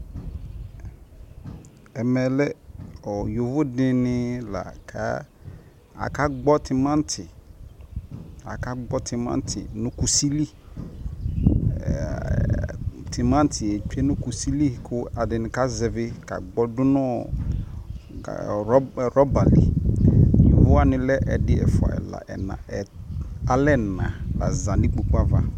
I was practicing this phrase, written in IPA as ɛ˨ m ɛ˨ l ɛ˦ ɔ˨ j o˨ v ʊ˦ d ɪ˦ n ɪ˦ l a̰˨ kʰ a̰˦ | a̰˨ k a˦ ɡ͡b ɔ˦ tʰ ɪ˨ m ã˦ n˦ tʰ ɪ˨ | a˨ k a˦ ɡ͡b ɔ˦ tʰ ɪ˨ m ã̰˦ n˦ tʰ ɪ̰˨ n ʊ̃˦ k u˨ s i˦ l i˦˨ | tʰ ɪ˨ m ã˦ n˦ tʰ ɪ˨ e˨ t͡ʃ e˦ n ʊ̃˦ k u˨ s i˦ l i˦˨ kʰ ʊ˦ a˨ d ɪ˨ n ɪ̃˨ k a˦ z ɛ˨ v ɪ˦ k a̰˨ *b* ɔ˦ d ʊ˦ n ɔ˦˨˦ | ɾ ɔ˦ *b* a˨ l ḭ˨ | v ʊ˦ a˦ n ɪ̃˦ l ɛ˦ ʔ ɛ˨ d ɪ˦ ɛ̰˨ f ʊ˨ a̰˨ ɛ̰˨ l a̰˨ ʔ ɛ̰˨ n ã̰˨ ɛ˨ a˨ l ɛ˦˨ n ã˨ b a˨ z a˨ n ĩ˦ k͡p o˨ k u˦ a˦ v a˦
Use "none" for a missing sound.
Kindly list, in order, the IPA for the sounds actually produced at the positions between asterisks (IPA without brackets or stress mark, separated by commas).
ɡ͡b, b